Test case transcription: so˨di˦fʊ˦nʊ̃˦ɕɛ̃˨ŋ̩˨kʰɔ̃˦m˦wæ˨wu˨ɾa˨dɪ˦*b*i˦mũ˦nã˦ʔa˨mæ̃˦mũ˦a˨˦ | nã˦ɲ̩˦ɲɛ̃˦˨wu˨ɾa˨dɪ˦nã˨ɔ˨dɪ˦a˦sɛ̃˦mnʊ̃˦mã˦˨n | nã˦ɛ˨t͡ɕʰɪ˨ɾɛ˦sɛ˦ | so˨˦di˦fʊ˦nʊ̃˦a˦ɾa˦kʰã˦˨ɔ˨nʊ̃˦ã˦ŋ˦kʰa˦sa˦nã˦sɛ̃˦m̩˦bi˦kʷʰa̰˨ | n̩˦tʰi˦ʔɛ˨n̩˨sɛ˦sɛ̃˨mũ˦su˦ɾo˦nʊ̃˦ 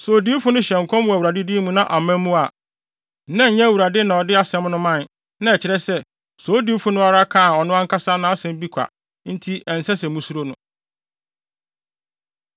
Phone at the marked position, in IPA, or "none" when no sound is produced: d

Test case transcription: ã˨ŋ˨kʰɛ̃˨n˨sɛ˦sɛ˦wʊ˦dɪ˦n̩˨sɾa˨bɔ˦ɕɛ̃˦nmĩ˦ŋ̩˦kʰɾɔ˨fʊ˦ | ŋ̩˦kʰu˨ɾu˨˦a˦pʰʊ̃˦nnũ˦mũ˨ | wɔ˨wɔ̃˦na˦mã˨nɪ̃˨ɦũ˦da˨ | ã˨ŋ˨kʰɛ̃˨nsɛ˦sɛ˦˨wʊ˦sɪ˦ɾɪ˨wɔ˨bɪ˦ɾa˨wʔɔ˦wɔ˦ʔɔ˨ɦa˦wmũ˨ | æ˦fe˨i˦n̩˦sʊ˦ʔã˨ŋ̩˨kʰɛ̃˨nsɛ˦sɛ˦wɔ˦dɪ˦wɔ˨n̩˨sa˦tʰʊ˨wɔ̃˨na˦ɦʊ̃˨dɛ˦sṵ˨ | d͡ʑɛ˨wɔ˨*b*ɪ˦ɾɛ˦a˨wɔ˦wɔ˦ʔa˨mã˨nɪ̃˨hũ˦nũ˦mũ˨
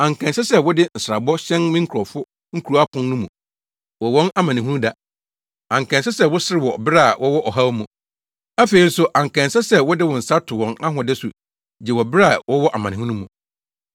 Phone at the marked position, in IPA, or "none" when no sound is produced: b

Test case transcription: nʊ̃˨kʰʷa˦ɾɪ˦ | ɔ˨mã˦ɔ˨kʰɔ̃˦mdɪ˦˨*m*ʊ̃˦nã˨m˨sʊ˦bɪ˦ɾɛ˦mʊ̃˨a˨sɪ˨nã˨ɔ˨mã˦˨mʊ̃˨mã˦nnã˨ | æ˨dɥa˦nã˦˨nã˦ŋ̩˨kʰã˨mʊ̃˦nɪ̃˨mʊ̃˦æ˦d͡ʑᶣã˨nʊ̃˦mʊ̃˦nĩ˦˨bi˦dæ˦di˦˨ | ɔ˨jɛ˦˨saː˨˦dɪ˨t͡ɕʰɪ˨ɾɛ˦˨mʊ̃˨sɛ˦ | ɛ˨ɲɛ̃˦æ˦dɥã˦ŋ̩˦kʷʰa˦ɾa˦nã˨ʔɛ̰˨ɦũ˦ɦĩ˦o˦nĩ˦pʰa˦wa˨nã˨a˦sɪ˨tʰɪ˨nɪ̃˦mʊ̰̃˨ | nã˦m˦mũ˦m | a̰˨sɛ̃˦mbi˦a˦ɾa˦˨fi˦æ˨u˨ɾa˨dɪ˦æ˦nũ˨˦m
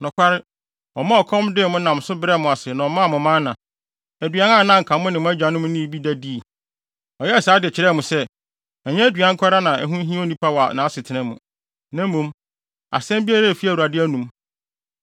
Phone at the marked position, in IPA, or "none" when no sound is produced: m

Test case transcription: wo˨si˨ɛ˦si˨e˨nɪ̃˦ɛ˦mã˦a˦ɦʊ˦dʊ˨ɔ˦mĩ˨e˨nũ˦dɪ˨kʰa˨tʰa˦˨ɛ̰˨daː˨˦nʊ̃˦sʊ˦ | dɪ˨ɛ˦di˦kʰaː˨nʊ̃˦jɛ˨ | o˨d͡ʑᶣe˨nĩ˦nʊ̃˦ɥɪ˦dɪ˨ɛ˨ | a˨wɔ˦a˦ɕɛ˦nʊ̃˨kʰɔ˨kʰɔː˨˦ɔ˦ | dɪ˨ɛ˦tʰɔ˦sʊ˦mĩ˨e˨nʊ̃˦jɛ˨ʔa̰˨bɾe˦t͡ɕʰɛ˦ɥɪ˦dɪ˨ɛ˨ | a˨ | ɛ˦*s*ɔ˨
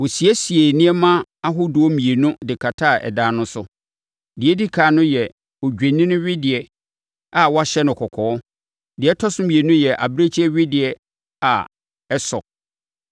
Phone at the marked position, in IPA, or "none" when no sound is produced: s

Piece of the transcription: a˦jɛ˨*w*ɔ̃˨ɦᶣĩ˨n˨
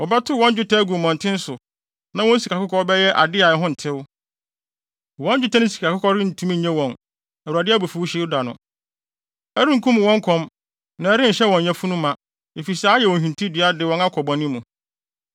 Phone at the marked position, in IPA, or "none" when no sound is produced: w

